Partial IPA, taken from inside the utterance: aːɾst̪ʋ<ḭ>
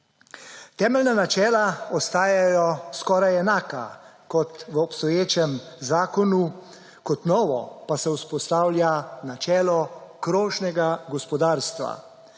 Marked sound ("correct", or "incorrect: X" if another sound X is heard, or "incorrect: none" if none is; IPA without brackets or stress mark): incorrect: a̰